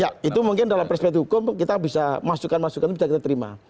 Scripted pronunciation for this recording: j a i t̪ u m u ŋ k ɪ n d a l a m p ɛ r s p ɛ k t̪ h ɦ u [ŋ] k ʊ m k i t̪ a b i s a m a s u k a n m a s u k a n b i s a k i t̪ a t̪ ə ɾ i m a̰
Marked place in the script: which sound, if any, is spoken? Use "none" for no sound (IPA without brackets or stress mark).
none